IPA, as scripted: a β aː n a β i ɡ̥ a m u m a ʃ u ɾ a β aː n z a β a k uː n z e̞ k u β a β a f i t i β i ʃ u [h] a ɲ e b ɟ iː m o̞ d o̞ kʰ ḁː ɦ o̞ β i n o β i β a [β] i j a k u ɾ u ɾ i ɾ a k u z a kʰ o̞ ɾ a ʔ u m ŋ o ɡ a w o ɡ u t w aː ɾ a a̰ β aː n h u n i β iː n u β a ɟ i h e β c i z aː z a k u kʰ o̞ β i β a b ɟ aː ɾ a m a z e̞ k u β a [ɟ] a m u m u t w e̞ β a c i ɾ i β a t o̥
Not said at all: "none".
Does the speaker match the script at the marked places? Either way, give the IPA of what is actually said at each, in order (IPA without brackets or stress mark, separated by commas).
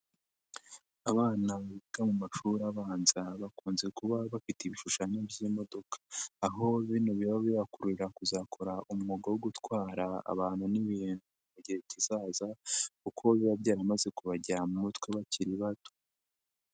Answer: ʃ, β, ɟ